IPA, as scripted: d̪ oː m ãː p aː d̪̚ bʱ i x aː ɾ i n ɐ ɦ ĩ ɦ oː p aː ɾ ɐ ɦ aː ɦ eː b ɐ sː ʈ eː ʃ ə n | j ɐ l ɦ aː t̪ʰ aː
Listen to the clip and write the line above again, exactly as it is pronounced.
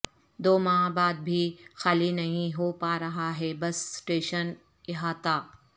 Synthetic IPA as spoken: d̪ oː m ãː b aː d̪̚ bʱ i x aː l i n ɐ ɦ ĩ ɦ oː p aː ɾ ɐ ɦ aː ɦ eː b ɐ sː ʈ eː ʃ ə n | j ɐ ɦ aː t̪ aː